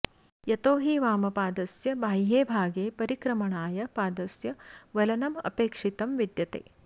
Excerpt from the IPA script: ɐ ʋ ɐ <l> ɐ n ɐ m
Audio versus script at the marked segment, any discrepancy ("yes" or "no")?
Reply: no